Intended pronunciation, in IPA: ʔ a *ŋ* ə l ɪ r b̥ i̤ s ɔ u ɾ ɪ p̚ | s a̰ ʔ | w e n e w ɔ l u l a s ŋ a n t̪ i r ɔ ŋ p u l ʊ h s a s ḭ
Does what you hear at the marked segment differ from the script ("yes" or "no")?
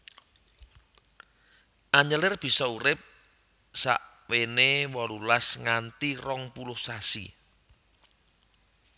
yes